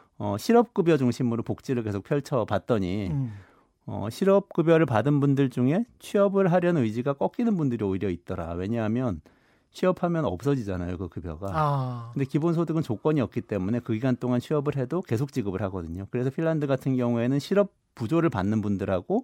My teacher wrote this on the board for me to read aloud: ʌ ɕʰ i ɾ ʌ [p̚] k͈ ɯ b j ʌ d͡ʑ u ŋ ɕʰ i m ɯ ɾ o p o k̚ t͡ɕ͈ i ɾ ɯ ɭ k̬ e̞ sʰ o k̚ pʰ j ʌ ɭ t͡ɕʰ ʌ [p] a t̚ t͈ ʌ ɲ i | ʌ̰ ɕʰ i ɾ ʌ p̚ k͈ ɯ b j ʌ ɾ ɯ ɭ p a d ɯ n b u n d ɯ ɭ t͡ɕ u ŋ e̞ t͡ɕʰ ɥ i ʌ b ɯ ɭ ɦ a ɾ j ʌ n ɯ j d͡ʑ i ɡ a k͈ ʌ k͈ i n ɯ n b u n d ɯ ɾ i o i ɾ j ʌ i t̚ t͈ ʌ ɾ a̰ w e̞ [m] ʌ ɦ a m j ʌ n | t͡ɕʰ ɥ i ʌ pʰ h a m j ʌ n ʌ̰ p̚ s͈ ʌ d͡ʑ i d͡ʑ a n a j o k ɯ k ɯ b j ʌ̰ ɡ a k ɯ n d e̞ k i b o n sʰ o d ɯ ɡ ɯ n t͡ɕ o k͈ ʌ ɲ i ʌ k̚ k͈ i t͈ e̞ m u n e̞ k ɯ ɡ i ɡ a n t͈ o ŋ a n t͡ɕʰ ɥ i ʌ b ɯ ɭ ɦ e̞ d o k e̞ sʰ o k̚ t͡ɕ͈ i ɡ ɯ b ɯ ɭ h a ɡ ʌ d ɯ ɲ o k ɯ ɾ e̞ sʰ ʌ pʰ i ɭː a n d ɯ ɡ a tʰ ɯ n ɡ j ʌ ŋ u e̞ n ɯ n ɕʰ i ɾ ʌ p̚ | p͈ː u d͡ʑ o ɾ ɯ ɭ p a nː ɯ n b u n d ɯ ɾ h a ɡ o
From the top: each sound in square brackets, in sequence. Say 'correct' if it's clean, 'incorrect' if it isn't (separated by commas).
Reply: correct, correct, incorrect